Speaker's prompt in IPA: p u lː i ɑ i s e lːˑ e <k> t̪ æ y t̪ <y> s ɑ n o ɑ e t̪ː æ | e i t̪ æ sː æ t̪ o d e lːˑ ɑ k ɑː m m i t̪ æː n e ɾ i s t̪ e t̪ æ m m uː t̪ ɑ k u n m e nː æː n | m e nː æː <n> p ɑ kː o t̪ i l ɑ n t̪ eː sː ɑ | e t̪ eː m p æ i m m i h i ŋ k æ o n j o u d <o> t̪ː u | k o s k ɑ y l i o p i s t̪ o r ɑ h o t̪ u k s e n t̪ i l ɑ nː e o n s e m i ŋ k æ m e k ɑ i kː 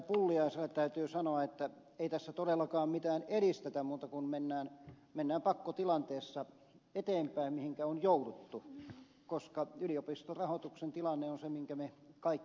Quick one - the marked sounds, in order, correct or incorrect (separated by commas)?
incorrect, incorrect, incorrect, incorrect